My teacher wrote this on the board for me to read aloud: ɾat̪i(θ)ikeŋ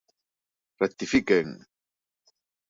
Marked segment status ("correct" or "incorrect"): incorrect